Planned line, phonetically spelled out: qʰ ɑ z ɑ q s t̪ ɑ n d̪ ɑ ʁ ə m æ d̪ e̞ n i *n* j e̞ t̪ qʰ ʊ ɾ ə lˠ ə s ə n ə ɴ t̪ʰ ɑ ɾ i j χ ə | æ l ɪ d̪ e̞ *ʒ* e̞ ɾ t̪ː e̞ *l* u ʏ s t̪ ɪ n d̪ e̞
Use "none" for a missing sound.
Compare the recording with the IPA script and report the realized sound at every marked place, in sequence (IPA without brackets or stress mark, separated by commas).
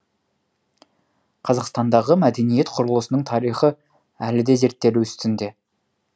none, z, l